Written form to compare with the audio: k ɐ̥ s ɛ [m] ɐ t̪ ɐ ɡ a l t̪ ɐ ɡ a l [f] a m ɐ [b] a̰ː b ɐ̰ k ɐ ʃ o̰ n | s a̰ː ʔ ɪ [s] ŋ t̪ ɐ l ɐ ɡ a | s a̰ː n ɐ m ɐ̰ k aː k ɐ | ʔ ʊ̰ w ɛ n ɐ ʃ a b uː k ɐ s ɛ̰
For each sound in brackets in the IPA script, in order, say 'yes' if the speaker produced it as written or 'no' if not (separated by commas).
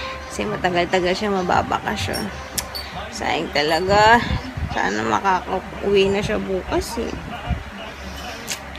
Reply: yes, no, yes, no